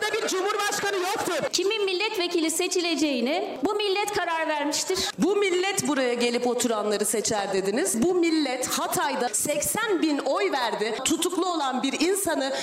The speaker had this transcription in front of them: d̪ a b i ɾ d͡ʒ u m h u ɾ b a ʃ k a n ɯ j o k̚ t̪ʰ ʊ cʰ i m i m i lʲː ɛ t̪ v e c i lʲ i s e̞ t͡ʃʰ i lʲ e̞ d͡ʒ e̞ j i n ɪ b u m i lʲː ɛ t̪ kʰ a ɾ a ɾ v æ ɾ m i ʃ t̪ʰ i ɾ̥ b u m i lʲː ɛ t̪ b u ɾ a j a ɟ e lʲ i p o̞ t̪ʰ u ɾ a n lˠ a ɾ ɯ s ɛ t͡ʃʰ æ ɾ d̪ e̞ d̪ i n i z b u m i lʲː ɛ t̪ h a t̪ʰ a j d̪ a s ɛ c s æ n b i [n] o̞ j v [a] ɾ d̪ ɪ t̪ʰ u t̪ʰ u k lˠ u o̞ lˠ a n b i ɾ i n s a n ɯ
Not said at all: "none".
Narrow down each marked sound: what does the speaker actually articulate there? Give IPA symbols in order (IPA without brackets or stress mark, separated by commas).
n, æ